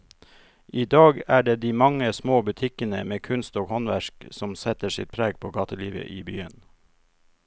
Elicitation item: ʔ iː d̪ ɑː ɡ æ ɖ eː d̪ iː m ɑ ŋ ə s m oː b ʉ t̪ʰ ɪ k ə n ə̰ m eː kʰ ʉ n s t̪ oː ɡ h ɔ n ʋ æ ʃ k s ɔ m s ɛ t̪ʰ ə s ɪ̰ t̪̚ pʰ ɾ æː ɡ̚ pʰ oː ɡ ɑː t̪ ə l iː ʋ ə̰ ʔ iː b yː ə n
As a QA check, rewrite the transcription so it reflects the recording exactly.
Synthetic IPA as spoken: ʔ iː d̪ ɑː ɡ æː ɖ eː d̪ iː m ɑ ŋ ə s m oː b ʉ t̪ʰ ɪ k ə n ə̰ m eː kʰ ʉ n s t̪ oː ɡ h ɔ n ʋ æ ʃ k s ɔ m s ɛ t̪ ə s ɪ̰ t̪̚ pʰ ɾ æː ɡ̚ pʰ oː ɡ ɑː t̪ ə l iː ʋ ə̰ ʔ iː b yː ə n